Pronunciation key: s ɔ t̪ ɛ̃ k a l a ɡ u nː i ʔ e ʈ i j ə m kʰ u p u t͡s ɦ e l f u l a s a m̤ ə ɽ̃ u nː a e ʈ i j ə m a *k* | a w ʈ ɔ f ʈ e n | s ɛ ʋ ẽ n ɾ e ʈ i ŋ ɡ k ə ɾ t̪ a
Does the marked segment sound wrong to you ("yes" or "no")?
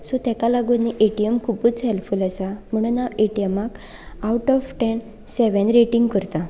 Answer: no